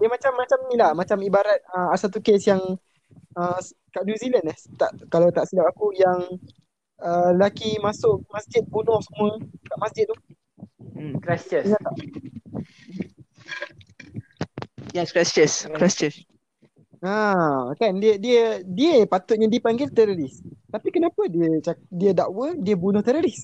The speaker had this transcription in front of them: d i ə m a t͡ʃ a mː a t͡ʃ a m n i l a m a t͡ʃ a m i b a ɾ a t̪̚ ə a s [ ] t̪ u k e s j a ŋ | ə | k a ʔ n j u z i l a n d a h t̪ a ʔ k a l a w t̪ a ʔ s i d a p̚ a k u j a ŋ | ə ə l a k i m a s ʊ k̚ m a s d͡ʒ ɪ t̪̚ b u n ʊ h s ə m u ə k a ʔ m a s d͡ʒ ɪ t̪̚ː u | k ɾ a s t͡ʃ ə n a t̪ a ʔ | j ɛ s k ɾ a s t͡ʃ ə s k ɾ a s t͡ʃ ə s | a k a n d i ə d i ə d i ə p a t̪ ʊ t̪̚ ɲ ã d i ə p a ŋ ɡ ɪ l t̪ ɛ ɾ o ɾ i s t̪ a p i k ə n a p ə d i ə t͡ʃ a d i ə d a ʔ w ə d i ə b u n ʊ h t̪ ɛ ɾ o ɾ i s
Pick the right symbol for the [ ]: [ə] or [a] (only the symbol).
a